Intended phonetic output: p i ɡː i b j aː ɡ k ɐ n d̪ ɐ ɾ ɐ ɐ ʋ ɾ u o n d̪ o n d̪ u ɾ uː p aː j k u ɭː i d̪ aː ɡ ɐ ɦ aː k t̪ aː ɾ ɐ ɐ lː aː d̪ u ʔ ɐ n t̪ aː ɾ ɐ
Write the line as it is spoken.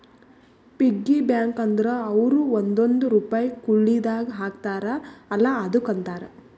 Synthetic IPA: p i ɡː i b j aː ŋ k ɐ n d̪ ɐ ɾ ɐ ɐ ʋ ɾ u o n d̪ o n d̪ u ɾ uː p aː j k u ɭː i d̪ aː ɡ ɐ ɦ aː k t̪ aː ɾ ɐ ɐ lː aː d̪ u k ɐ n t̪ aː ɾ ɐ